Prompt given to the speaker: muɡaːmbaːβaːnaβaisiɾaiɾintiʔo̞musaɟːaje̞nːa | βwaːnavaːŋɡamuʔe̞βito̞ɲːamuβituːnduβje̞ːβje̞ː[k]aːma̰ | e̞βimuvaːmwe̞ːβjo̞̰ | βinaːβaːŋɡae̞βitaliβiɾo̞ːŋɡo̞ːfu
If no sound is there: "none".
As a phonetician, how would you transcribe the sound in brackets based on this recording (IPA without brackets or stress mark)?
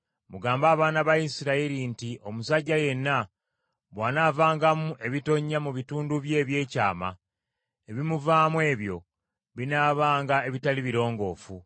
c